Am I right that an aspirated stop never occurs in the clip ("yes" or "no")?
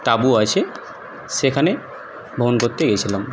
no